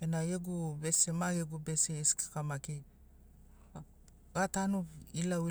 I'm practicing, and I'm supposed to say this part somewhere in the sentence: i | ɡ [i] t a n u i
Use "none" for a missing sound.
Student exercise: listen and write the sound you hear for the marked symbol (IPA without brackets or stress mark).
a